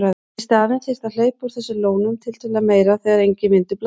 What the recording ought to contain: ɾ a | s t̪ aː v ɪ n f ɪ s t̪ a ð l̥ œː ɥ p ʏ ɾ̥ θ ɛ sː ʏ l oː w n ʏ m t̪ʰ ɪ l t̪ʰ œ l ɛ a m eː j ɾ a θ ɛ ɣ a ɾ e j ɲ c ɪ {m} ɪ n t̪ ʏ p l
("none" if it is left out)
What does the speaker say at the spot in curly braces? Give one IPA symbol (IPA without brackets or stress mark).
m